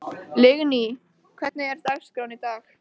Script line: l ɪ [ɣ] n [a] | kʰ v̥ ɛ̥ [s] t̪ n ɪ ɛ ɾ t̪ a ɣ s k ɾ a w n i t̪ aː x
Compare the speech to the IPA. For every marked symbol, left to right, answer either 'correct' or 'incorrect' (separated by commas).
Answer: correct, incorrect, incorrect